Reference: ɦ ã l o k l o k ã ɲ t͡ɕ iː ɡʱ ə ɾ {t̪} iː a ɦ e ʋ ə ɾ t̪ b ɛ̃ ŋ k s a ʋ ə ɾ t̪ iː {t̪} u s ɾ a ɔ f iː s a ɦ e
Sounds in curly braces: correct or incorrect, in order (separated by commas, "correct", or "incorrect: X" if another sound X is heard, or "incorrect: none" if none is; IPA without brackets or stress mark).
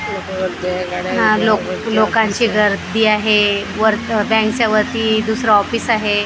incorrect: d̪, incorrect: d̪